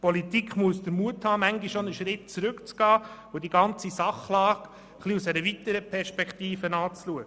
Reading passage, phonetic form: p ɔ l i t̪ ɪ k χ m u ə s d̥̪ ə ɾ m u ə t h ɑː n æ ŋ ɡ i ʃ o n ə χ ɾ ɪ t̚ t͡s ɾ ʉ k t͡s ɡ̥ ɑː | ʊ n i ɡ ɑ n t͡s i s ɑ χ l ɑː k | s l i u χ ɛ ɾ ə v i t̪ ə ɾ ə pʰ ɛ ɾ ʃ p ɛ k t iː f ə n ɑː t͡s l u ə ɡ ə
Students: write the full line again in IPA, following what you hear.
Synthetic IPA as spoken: p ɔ l i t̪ i k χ m u ə s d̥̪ ə ɾ m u ə t h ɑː m æ ŋ ɡ i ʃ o n ə ʃ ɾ ɪ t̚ t͡s ɾ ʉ k t͡s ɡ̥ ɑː | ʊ d i ɡ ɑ n t͡s i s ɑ χ l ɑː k | χ l i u s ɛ ɾ ə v i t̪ ə ɾ ə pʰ ɛ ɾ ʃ p ɛ k t iː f ə n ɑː t͡s l u ə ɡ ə